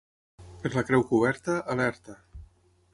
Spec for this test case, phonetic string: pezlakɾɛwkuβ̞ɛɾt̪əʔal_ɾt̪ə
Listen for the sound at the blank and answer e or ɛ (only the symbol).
ɛ